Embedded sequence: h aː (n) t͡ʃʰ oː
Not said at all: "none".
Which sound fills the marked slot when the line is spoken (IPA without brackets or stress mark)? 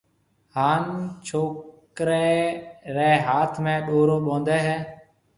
n